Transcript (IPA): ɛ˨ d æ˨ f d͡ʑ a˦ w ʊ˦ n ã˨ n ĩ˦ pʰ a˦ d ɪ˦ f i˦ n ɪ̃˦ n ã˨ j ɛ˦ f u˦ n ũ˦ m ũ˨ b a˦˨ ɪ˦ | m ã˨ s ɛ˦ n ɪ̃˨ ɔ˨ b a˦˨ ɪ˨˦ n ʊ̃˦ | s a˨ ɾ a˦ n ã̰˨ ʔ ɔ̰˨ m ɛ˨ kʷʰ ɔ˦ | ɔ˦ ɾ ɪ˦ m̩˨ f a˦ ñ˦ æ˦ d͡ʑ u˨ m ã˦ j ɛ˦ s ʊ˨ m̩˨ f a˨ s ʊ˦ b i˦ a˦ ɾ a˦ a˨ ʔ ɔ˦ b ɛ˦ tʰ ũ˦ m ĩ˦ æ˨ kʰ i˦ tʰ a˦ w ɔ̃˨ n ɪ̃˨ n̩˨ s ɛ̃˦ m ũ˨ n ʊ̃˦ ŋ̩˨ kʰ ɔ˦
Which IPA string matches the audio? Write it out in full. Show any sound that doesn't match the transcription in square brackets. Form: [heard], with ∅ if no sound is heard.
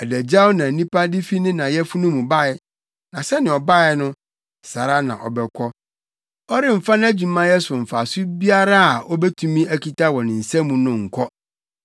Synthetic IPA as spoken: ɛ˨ d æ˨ [∅] d͡ʑ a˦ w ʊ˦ n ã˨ n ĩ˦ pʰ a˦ d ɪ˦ f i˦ n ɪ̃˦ n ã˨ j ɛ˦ f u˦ n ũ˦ m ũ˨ b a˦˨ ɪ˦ | [n] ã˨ s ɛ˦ n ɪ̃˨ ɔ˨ b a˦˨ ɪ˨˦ n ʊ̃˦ | s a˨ ɾ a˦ n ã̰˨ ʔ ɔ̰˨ [b] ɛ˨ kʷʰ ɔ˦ | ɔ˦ ɾ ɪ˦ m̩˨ f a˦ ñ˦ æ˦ d͡ʑ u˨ m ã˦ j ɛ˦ s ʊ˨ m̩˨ f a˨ s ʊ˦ b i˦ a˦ ɾ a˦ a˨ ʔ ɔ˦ b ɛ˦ tʰ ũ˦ m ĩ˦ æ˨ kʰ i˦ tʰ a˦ w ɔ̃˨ n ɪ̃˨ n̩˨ s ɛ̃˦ m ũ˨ n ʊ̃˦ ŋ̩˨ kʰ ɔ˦